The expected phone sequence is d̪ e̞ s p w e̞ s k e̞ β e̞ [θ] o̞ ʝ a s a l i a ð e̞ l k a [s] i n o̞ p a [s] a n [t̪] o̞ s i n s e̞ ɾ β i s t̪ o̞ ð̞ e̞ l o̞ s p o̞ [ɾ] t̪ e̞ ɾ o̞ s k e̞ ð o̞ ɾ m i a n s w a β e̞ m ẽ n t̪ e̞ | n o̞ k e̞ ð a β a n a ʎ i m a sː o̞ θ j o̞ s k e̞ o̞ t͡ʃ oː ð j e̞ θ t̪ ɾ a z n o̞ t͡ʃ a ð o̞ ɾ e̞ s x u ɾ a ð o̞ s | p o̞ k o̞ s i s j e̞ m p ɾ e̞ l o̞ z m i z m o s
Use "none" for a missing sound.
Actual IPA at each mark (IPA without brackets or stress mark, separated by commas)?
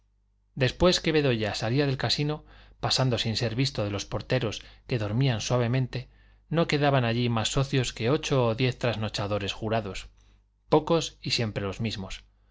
ð, s, s, d̪, ɾ